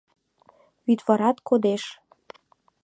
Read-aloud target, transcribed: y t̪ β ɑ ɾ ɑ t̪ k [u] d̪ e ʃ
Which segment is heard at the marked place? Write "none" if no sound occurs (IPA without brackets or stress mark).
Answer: o